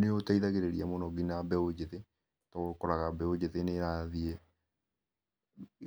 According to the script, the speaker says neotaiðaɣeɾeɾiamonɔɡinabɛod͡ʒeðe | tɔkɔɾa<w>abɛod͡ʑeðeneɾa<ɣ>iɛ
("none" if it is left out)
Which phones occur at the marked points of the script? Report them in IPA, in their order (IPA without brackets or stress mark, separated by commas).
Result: ɣ, ð